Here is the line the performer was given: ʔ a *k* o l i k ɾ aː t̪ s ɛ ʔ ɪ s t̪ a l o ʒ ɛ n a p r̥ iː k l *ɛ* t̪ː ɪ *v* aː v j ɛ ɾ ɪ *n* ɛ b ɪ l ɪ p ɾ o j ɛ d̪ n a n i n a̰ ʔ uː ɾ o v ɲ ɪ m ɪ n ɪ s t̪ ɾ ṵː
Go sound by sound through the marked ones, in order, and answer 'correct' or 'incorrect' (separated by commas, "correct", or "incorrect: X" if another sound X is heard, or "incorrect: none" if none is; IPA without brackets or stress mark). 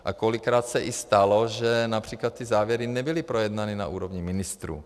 correct, incorrect: a, incorrect: z, correct